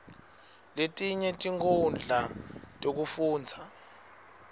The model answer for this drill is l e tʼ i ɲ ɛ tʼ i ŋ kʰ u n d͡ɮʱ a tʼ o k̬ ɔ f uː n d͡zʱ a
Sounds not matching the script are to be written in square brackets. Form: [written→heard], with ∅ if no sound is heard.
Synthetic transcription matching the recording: l e tʼ i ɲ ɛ tʼ i ŋ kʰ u n d͡ɮʱ a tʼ o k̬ [ɔ→u] f uː n d͡zʱ a